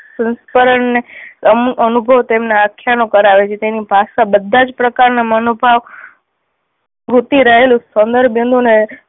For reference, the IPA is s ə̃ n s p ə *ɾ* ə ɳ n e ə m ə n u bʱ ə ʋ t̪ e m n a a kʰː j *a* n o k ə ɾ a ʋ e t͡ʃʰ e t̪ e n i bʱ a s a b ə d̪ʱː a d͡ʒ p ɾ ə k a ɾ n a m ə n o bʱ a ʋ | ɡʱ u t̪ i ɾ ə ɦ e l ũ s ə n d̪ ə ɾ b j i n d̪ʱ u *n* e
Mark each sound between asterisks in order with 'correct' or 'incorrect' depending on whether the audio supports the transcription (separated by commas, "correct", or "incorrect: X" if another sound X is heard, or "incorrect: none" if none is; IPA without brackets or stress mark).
correct, correct, correct